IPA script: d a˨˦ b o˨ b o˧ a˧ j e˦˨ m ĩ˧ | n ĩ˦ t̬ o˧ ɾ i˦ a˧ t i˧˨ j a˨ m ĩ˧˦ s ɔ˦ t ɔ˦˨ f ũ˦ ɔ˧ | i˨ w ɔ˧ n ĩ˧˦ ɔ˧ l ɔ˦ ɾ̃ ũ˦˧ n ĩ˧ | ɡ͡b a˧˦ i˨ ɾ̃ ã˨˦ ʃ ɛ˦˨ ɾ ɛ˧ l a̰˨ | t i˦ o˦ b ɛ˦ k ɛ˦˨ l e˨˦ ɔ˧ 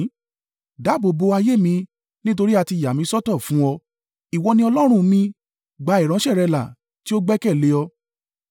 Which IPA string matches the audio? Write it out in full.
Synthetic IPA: d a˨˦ b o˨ b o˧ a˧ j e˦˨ m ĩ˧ | n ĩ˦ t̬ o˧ ɾ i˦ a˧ t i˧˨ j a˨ m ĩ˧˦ s ɔ˦ t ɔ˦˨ f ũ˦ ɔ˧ | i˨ w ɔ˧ n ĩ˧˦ ɔ˧ l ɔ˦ ɾ̃ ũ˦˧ m ĩ˧ | ɡ͡b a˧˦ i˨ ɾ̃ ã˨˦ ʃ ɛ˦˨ ɾ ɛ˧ l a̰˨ | t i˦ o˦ ɡ͡b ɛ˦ k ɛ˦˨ l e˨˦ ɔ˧